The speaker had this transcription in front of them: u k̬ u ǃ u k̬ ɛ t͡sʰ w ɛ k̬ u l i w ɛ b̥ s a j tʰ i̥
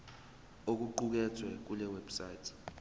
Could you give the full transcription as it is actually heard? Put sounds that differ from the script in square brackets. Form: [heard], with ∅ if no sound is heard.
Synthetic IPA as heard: [o] k̬ u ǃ u k̬ ɛ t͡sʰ w ɛ k̬ u l [ɛ] w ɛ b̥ s a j tʰ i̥